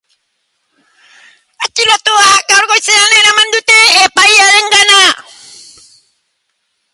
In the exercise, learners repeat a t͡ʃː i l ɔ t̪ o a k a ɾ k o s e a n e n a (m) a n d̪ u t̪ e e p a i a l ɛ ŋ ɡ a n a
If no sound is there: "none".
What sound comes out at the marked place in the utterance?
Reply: m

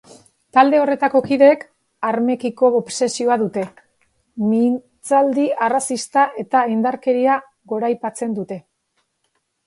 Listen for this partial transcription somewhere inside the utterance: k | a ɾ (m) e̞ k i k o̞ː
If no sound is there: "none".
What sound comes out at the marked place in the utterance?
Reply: m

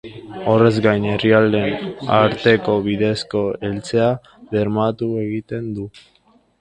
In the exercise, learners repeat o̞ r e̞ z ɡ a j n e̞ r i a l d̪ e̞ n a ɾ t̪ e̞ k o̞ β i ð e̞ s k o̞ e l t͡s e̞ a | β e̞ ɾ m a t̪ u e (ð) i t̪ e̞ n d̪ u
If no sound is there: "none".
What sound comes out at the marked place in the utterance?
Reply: ɣ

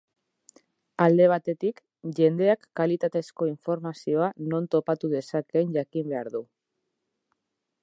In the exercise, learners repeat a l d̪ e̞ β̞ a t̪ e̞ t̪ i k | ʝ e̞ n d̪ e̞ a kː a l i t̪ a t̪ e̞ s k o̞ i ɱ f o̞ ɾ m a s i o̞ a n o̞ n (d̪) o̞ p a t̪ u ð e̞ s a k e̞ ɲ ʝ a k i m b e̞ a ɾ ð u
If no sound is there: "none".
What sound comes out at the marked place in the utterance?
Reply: t̪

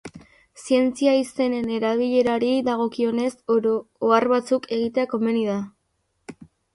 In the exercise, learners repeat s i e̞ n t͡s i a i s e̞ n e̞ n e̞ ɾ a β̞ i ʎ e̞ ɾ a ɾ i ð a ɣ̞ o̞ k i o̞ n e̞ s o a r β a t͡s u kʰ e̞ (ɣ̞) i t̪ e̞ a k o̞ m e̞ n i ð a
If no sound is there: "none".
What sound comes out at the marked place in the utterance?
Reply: ɣ̞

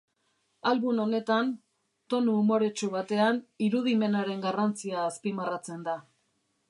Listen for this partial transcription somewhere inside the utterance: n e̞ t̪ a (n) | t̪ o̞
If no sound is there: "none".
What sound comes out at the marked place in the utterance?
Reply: n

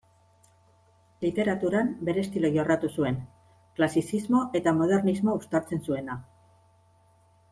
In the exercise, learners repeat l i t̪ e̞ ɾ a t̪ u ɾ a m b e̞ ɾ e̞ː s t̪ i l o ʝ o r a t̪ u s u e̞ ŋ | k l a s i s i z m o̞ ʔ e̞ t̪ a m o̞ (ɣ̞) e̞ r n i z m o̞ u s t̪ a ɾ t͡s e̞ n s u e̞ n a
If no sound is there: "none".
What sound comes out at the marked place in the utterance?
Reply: ð̞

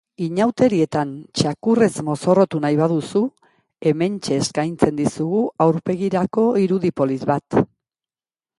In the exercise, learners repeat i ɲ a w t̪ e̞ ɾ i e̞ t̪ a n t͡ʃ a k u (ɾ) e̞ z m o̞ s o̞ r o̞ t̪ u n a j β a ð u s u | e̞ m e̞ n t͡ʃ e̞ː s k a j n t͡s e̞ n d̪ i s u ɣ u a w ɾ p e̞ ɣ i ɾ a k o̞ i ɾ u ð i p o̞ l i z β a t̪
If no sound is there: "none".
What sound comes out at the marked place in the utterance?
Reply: r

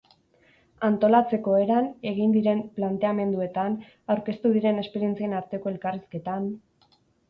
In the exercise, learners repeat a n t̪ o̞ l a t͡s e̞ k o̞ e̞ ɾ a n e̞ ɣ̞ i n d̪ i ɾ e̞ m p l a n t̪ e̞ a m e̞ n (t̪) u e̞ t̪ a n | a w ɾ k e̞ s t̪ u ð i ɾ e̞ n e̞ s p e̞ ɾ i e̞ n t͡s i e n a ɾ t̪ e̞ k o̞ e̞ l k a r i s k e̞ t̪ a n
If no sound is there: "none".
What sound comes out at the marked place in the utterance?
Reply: d̪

